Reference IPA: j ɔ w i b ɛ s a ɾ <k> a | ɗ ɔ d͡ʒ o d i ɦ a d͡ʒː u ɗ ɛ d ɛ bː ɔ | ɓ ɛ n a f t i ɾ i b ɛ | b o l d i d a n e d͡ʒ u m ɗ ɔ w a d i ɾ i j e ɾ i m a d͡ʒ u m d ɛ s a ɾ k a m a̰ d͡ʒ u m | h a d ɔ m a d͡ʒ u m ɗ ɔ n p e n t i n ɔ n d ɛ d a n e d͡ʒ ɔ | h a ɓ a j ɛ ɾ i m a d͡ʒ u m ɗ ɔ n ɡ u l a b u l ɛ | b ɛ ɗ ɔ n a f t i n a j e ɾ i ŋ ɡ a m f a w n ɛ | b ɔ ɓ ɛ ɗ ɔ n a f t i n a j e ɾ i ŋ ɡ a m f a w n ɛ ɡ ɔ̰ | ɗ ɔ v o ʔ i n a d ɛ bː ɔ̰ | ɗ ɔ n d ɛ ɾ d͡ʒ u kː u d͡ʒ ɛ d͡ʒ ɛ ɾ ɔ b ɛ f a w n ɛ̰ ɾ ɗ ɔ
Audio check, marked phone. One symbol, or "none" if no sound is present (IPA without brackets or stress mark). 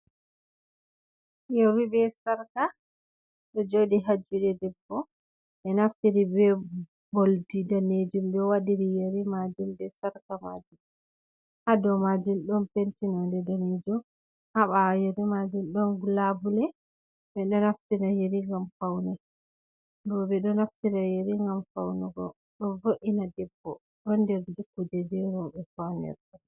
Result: k